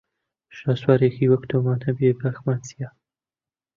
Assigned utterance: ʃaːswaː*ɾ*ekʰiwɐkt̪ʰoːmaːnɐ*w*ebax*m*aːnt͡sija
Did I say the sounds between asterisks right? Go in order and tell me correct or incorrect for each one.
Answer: correct, incorrect, correct

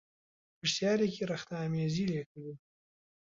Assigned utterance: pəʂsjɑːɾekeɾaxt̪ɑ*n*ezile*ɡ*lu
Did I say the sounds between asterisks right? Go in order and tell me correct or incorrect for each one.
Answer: incorrect, incorrect

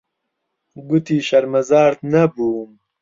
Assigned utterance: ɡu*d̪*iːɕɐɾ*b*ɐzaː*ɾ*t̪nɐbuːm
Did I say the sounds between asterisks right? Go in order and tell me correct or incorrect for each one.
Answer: incorrect, incorrect, correct

